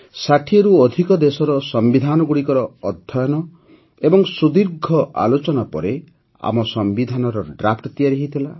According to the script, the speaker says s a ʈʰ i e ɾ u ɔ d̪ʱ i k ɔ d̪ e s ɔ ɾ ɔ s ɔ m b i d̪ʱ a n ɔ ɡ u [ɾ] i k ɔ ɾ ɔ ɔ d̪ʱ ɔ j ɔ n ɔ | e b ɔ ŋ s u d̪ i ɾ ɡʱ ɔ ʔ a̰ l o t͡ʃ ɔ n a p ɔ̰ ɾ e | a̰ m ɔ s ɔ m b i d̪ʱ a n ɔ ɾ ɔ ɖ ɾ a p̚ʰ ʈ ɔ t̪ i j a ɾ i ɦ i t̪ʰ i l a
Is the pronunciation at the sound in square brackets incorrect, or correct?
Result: incorrect